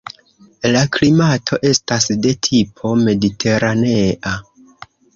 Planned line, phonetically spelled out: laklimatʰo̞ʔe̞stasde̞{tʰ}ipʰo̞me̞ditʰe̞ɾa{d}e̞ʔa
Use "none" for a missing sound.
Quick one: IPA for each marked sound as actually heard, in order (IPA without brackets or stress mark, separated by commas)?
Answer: tʰ, n